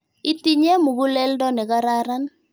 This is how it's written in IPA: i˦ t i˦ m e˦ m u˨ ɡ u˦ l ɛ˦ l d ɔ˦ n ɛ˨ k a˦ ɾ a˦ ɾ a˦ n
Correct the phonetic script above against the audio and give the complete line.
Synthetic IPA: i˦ t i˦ ɲ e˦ m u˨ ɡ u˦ l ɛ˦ l d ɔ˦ n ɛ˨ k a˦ ɾ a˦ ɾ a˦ n